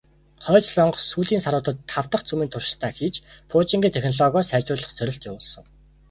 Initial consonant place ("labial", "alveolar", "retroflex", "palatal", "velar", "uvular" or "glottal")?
uvular